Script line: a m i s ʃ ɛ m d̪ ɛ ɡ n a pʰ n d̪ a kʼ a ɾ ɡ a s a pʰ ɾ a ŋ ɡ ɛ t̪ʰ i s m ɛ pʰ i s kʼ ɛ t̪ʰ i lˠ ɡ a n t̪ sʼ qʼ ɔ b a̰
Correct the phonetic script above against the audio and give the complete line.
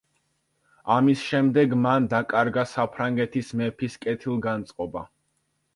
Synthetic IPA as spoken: a m i s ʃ ɛ m d̪ ɛ ɡ m a n d̪ a kʼ a ɾ ɡ a s a pʰ ɾ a ŋ ɡ ɛ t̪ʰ i s m ɛ pʰ i s kʼ ɛ t̪ʰ i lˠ ɡ a n t̪ sʼ qʼ ɔ b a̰